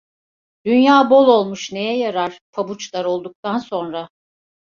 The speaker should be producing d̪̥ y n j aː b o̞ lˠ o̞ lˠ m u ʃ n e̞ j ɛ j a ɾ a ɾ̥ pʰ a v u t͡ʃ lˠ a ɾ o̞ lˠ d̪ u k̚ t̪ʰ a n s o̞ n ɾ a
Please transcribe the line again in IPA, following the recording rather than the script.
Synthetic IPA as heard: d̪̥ y n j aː b o̞ lˠ o̞ lˠ m u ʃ n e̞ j ɛ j a ɾ a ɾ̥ pʰ a b u t͡ʃ lˠ a ɾ o̞ lˠ d̪ u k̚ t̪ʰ a n s o̞ n ɾ a